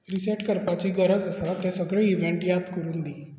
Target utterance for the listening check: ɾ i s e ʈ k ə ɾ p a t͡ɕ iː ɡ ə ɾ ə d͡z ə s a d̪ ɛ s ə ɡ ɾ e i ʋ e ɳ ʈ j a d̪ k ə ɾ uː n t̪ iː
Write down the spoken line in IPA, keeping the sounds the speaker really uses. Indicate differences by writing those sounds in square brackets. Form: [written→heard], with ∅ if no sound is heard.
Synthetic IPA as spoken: ɾ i s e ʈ k ə ɾ p a t͡ɕ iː ɡ ə ɾ ə d͡z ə s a [d̪→t̪] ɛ s ə ɡ [ɾ→ɭ] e i ʋ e ɳ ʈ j a d̪ k ə ɾ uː n [t̪→d̪] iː

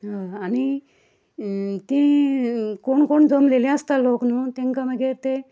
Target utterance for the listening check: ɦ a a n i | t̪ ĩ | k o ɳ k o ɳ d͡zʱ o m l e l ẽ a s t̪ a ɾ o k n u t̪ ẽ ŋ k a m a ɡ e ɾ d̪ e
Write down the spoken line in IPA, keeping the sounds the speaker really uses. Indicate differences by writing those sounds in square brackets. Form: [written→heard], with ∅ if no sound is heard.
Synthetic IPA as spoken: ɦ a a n i | t̪ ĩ | k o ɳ k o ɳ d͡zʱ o m l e l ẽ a s t̪ a [ɾ→l] o k n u t̪ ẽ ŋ k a m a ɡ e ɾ [d̪→t̪] e

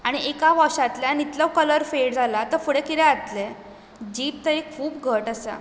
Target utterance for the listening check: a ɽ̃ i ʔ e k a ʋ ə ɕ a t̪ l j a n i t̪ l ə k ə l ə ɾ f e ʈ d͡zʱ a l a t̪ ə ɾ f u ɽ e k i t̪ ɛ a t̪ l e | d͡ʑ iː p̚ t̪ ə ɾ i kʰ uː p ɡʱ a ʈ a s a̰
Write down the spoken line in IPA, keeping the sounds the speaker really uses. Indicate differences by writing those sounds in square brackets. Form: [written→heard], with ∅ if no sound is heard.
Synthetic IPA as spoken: a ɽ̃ i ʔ e k a ʋ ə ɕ a t̪ l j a n i t̪ l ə k ə l ə ɾ f e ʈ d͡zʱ a l a t̪ ə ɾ f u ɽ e k i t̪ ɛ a t̪ l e | d͡ʑ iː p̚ t̪ ə ɾ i kʰ uː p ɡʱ [a→ə] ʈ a s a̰

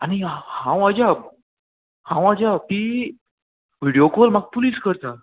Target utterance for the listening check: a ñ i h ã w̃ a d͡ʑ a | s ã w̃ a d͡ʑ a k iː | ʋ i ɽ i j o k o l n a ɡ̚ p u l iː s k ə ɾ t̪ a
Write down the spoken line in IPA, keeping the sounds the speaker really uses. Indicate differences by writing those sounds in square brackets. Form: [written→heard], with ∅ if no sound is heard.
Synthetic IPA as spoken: a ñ i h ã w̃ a d͡ʑ a | [s→h] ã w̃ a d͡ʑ a [k→p] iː | ʋ i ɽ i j o k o l [n→m] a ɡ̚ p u l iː s k ə ɾ t̪ a

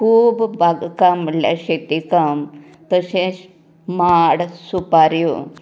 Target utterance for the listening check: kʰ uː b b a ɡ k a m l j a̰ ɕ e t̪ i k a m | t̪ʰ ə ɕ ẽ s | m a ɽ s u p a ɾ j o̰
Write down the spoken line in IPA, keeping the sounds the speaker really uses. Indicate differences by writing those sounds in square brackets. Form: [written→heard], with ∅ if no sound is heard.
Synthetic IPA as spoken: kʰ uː b b a ɡ k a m l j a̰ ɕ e t̪ i k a m | [t̪ʰ→t̪] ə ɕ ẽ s | m a ɽ s u p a ɾ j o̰

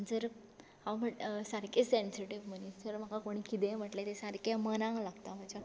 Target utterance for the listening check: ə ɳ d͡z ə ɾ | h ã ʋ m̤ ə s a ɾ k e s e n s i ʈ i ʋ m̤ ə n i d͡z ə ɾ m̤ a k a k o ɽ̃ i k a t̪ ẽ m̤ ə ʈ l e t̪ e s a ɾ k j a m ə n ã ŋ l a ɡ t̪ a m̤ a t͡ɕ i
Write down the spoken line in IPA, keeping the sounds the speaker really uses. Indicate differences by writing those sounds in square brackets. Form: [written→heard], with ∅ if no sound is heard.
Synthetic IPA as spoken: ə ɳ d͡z ə ɾ | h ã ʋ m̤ ə s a ɾ k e s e n s i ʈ i ʋ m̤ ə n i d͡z ə ɾ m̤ a k a k o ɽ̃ i k [a→i] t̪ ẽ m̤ ə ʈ l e t̪ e s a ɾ k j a m ə n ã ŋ l a ɡ t̪ a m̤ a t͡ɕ [i→a]

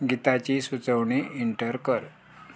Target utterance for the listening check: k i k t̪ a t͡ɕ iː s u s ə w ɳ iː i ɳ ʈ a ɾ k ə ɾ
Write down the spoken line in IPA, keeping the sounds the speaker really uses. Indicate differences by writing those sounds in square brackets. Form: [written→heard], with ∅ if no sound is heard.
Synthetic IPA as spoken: [k→ɡ] i [k→∅] t̪ a t͡ɕ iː s u [s→t͡s] ə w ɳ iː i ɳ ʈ [a→ə] ɾ k ə ɾ

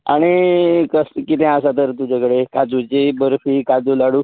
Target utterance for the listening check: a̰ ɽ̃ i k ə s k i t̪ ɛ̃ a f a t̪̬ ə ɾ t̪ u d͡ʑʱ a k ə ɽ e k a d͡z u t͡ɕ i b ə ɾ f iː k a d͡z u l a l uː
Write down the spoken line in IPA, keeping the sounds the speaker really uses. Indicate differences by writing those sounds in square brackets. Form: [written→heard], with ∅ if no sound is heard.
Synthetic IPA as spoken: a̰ ɽ̃ i k ə s k i t̪ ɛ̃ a [f→s] a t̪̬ ə ɾ t̪ u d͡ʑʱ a k ə ɽ e k a d͡z u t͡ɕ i b ə ɾ f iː k a d͡z u l a [l→ɽ] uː

